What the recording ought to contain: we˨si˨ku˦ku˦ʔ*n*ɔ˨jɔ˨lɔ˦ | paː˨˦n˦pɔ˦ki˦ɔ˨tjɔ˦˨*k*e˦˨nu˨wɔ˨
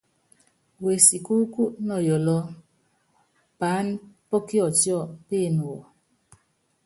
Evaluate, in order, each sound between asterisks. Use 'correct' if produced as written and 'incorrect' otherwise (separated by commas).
correct, incorrect